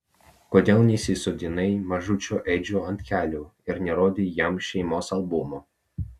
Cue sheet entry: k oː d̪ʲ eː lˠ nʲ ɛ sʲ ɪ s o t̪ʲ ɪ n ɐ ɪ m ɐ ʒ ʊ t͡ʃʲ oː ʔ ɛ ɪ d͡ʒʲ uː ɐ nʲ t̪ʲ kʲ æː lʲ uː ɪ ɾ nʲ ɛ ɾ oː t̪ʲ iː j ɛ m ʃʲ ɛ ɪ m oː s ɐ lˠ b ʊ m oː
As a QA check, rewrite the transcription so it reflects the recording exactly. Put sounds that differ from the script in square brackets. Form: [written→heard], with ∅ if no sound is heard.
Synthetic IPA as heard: k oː d̪ʲ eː lˠ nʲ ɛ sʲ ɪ s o [t̪ʲ→d̪ʲ] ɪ n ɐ ɪ m ɐ ʒ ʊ t͡ʃʲ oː ʔ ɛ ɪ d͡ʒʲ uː ɐ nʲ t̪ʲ kʲ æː lʲ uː ɪ ɾ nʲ ɛ ɾ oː [t̪ʲ→d̪ʲ] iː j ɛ m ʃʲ ɛ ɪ m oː s ɐ lˠ b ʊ m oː